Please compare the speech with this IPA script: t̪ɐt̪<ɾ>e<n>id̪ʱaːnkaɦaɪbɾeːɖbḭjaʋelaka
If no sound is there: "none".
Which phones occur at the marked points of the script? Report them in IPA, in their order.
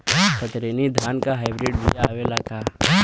ɾ, n

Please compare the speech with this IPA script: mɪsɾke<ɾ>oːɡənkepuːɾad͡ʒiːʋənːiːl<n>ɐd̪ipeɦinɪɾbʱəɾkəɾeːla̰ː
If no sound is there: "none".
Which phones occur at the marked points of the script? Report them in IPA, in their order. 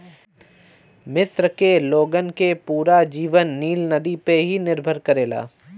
l, n

